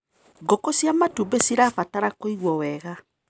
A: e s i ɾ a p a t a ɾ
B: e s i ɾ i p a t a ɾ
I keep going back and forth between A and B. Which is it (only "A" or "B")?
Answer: A